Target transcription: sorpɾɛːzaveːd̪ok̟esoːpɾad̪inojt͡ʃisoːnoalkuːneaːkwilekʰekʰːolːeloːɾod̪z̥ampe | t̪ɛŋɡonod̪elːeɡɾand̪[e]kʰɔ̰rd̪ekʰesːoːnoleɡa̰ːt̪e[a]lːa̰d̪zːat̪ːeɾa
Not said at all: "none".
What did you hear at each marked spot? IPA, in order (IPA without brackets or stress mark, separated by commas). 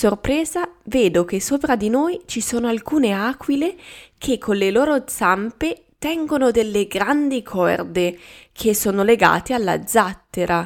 i, a